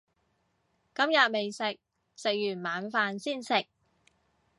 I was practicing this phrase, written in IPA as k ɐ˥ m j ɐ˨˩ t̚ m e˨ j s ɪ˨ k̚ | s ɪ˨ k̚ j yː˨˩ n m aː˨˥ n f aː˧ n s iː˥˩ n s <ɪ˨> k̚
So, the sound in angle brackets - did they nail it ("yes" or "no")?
yes